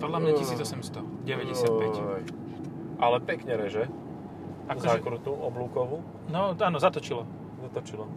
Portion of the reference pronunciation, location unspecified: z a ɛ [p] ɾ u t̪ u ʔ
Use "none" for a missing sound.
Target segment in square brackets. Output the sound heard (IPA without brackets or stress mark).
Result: k